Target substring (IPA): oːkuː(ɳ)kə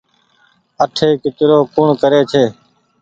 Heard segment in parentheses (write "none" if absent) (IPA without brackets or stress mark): ɳ